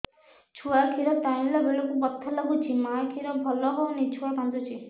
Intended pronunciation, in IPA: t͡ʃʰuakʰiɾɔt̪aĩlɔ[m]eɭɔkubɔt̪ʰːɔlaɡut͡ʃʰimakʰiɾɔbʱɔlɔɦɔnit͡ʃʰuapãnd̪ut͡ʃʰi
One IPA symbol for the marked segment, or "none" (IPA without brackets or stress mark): b